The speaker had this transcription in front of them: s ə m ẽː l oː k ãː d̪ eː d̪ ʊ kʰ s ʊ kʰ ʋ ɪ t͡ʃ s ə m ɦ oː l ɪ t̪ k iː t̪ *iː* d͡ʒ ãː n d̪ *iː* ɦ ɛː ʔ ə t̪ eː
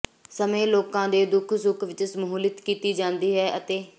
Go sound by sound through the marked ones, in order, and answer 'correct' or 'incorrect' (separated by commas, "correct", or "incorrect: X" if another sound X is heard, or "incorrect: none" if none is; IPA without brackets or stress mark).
correct, correct